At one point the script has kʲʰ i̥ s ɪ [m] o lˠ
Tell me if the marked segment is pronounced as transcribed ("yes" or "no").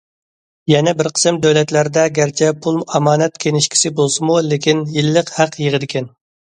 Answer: no